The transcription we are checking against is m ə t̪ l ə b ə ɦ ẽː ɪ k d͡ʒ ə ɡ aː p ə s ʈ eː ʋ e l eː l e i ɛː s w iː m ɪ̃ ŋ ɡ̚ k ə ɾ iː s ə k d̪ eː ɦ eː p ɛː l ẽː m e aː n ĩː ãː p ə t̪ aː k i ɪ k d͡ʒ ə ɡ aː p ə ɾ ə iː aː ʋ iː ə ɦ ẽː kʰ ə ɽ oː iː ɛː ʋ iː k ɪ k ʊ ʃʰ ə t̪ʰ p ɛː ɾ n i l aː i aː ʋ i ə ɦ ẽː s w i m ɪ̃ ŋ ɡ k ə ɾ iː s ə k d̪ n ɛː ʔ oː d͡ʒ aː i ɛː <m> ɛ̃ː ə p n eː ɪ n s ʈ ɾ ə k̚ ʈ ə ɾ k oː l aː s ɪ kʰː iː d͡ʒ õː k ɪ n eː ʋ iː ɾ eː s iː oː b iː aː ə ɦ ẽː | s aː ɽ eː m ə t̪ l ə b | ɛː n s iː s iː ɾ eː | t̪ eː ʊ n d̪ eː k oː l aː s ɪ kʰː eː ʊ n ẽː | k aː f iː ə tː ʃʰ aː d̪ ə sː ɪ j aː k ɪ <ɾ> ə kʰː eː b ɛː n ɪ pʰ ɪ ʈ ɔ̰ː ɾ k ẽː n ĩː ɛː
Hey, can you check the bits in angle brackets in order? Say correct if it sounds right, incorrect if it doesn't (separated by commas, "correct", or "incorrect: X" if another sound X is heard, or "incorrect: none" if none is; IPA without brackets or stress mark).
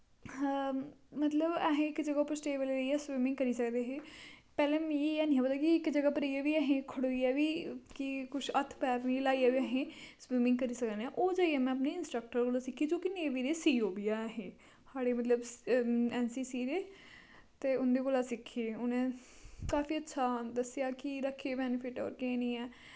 correct, correct